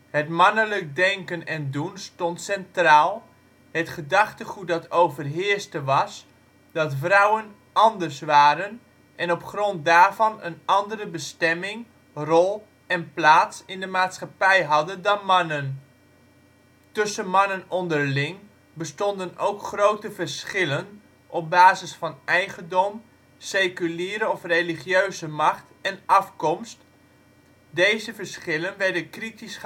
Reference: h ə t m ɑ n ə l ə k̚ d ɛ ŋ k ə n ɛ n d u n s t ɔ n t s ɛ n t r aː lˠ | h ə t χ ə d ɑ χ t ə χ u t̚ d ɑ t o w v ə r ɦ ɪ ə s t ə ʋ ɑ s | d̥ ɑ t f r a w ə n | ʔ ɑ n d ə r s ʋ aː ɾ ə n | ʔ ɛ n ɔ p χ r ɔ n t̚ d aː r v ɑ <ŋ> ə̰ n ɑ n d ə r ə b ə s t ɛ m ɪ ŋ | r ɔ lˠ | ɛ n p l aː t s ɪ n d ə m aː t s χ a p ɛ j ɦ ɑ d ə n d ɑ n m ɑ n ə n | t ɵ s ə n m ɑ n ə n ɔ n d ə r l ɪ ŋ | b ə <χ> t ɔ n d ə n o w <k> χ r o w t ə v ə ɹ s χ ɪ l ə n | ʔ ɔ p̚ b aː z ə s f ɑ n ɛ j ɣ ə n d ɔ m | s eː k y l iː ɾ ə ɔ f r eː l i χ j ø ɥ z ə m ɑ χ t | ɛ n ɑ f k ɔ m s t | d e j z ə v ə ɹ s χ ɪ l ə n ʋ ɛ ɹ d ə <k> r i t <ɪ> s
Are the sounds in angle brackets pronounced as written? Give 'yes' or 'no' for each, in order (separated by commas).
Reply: no, no, yes, yes, no